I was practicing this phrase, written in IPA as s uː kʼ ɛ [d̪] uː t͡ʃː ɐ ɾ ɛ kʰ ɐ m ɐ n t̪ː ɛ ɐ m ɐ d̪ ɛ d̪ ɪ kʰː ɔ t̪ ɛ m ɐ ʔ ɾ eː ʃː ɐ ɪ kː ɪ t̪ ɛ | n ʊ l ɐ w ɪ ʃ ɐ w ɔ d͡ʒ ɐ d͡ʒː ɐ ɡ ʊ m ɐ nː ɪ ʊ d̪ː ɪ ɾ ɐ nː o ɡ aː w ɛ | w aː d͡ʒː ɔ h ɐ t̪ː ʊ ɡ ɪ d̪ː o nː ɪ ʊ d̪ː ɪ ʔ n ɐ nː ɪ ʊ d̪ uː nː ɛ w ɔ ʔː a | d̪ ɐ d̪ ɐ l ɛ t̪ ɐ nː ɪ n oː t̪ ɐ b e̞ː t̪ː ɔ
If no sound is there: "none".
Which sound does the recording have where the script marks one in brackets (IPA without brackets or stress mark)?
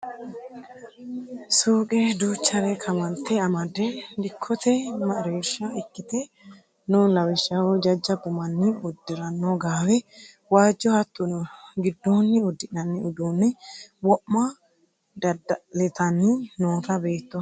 d̪